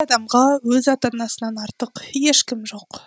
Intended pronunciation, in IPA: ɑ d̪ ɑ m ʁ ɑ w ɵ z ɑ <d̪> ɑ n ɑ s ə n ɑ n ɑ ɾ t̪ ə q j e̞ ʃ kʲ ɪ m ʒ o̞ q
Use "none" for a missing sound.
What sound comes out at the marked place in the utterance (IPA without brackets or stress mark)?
t̪